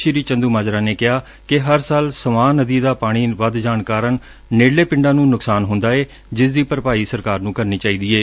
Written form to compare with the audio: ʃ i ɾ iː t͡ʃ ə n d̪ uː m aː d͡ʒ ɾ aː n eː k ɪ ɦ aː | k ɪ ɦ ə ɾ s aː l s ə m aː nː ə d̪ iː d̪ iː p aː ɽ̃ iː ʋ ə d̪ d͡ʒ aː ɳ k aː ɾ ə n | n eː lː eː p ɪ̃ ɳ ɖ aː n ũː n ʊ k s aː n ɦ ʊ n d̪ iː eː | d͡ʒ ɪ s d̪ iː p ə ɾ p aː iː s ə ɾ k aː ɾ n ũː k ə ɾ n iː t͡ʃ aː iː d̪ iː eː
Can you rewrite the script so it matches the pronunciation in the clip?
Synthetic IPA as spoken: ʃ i ɾ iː t͡ʃ ə n d̪ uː m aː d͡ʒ ɾ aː n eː k ɪ ɦ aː | k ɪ ɦ ə ɾ s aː l s ə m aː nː ə d̪ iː d̪ aː p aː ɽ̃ iː ʋ ə d̪ d͡ʒ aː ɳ k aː ɾ ə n | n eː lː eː p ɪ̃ ɳ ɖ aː n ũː n ʊ k s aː n ɦ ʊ n d̪ aː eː | d͡ʒ ɪ s d̪ iː p ə ɾ p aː iː s ə ɾ k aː ɾ n ũː k ə ɾ n iː t͡ʃ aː iː d̪ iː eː